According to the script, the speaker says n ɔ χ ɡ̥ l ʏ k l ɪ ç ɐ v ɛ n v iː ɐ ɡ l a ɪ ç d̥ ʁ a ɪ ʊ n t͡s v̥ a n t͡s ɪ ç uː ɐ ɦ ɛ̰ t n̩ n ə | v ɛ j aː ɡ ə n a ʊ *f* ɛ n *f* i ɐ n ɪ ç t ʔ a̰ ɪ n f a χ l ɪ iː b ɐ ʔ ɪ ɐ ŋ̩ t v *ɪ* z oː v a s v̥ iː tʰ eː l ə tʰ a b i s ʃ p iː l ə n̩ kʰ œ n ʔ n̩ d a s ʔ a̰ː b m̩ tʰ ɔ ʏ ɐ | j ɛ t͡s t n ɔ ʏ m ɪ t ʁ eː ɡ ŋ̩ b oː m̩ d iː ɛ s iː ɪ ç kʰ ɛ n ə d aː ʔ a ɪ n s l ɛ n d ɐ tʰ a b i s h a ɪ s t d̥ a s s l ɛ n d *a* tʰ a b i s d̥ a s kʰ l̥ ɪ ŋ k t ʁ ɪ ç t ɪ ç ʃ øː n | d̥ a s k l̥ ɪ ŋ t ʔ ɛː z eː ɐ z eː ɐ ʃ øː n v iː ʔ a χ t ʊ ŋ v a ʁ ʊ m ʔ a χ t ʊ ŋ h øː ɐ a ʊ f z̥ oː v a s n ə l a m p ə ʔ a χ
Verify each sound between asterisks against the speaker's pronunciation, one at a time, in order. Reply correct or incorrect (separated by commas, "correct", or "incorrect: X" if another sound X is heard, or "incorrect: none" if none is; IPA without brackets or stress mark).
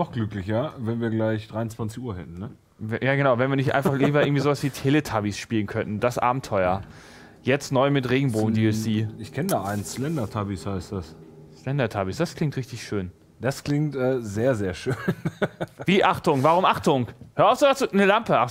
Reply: incorrect: v, incorrect: v, incorrect: i, incorrect: ɐ